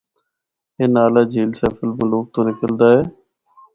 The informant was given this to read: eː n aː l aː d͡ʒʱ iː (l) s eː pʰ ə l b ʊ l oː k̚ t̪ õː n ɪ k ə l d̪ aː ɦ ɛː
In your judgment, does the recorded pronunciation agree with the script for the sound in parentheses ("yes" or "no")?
yes